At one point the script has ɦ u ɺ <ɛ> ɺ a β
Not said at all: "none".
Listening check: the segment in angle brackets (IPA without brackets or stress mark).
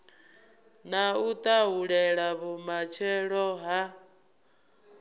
ɛ